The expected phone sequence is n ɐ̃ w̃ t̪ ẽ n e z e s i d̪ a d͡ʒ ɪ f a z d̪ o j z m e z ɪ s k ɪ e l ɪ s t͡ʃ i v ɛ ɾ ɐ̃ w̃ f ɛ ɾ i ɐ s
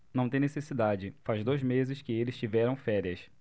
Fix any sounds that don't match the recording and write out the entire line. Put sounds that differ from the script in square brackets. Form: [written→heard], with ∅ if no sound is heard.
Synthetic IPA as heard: n ɐ̃ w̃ t̪ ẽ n e [z→s] e s i d̪ a d͡ʒ ɪ f a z d̪ o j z m e z ɪ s k ɪ e l ɪ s t͡ʃ i v ɛ ɾ ɐ̃ w̃ f ɛ ɾ i ɐ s